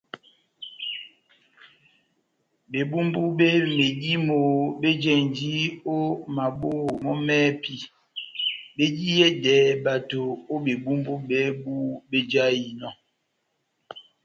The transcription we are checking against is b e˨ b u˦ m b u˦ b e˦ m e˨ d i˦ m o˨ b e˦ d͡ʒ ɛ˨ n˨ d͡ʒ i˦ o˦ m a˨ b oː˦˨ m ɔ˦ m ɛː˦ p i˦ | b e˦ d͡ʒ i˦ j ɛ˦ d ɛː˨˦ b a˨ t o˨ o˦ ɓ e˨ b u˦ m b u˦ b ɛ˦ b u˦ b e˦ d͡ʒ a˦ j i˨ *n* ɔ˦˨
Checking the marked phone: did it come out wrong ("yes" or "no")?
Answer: no